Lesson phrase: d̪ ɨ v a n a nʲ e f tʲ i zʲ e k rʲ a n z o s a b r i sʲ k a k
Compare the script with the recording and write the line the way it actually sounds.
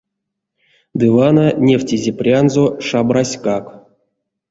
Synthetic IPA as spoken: d̪ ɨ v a n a nʲ e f tʲ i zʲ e p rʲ a n z o ʂ a b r a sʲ k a k